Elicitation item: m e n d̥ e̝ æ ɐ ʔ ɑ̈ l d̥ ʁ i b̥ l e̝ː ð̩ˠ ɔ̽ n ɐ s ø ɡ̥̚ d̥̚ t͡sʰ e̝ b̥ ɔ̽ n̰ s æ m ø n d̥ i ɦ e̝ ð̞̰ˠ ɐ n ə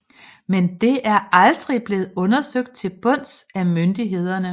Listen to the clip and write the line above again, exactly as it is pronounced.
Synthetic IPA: m e n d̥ e̝ æ ɐ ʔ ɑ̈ l d̥ ʁ i b̥ l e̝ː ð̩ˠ ɔ̽ n ɐ s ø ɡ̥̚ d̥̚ t͡sʰ e̝ b̥ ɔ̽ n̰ s æ m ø n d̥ i ɦ e̝ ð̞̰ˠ ɐ n ə